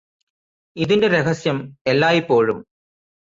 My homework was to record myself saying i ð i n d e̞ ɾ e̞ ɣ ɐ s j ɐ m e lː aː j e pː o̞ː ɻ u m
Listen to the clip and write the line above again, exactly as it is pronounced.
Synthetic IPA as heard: i ð i n d e̞ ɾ e̞ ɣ ɐ s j ɐ m e lː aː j i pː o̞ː ɻ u m

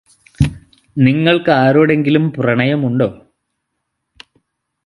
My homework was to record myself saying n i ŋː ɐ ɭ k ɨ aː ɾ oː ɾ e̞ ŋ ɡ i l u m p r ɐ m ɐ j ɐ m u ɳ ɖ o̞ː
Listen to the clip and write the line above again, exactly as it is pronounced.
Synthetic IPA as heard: n i ŋː ɐ ɭ k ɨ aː ɾ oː ɽ e̞ ŋ ɡ i l u m p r ɐ ɳ ɐ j ɐ m u ɳ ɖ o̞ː

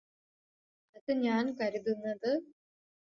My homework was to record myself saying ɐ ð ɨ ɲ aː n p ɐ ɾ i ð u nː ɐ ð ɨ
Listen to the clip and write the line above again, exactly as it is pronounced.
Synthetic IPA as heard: ɐ ð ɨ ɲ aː n k ɐ ɾ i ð u nː ɐ ð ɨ

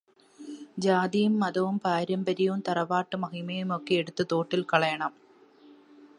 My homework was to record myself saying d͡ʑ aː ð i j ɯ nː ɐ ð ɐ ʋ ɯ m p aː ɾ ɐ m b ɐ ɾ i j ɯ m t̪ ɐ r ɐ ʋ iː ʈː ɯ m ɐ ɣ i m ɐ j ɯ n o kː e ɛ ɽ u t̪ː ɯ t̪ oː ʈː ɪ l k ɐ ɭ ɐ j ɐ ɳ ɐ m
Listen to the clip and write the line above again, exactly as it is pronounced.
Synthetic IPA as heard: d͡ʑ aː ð i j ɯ mː ɐ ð ɐ ʋ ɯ m p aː ɾ ɐ m b ɐ ɾ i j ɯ m t̪ ɐ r ɐ ʋ aː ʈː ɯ m ɐ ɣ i m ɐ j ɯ m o kː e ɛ ɽ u t̪ː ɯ t̪ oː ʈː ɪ l k ɐ ɭ ɐ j ɐ ɳ ɐ m

